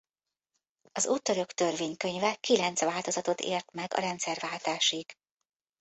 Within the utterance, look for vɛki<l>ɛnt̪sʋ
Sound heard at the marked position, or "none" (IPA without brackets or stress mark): l